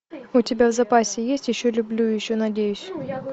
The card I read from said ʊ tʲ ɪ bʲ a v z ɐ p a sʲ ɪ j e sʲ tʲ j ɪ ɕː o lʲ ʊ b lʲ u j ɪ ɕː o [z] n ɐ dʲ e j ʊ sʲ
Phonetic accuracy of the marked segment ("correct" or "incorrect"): incorrect